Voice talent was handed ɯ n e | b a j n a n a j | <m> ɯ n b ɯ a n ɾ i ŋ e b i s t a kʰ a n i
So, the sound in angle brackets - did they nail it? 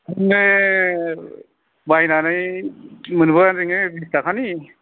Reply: yes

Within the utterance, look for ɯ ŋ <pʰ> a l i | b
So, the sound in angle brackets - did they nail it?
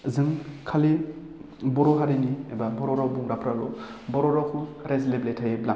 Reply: no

